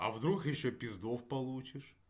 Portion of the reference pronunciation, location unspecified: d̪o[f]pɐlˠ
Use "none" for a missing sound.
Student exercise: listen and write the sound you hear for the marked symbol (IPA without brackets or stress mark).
f